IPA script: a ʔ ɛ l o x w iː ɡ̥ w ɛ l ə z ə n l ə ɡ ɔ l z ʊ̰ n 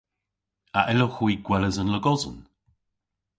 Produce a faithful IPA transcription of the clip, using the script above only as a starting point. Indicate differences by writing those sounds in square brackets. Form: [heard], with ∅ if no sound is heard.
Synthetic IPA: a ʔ ɛ l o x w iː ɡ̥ w ɛ l ə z ə n l ə ɡ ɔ [∅] z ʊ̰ n